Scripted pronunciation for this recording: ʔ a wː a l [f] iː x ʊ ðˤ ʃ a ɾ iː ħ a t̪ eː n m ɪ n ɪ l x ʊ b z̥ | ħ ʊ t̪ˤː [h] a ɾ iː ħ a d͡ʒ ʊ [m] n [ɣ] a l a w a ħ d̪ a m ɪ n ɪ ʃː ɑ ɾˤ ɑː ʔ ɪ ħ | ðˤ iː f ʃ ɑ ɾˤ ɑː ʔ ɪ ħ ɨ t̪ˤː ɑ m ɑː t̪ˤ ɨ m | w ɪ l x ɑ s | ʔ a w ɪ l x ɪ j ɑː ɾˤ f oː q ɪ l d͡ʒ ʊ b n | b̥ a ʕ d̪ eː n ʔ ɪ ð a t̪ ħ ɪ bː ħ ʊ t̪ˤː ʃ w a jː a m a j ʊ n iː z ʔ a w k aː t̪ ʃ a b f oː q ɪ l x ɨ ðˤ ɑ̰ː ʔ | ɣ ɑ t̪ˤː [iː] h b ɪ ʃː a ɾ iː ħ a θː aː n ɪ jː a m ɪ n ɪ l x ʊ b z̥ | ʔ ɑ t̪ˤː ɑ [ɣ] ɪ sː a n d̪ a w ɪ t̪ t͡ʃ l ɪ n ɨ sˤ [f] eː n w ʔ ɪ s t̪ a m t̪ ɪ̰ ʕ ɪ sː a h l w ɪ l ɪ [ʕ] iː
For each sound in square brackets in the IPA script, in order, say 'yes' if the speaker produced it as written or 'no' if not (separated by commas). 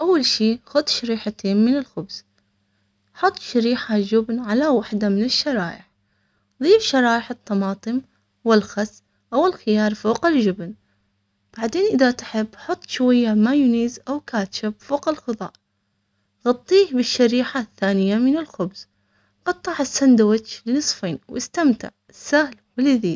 no, no, no, no, yes, no, yes, no